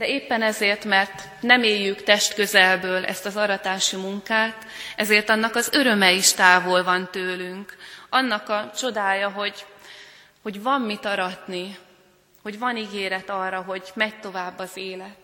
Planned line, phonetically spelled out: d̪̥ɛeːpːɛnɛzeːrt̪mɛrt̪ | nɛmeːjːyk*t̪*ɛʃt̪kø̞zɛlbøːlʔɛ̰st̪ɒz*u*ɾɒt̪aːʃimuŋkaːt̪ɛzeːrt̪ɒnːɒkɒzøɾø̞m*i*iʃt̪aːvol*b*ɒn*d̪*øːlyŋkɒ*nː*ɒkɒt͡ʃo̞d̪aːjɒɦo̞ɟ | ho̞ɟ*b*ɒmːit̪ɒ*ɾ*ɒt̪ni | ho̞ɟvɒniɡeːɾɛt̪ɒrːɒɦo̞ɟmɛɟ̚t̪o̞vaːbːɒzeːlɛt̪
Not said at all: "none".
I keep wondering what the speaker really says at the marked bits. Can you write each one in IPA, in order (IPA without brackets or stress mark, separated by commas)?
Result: t̪, ɒ, ɛ, v, t̪, nː, v, ɾ